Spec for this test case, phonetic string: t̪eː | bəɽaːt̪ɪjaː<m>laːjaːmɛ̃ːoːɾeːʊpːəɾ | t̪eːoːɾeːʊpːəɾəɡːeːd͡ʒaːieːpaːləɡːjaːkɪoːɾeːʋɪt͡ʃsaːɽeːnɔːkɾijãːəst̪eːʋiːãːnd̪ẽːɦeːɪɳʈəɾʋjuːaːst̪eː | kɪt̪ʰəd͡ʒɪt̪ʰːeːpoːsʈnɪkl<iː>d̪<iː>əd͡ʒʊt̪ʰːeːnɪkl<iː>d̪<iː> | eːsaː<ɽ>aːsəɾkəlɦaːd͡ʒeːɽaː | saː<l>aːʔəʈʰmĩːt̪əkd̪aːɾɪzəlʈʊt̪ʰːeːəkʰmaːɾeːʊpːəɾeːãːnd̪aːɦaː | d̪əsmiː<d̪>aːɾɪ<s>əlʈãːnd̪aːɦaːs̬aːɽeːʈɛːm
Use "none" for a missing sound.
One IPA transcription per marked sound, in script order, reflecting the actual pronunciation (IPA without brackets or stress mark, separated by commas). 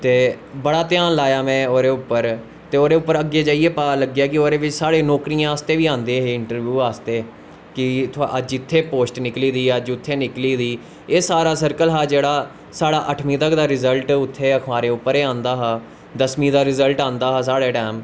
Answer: n, iː, iː, iː, iː, ɾ, ɽ, d̪, z